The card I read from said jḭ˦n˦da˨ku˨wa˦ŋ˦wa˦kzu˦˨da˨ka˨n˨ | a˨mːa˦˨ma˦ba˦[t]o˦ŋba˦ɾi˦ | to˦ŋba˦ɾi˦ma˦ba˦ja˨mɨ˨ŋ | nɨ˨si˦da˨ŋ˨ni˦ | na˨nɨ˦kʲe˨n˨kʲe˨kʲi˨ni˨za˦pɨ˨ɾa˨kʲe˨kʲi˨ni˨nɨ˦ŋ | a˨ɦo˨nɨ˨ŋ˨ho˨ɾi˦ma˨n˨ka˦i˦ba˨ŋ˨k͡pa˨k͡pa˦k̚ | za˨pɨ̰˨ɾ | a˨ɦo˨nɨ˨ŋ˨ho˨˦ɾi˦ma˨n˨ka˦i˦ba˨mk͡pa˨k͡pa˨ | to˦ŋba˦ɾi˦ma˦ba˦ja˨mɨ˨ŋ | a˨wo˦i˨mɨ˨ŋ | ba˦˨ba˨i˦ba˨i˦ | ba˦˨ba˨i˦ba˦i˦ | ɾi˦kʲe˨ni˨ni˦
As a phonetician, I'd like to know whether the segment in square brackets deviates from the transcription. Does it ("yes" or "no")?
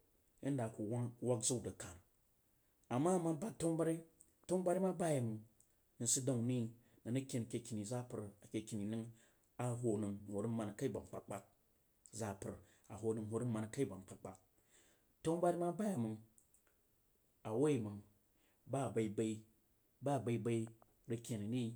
no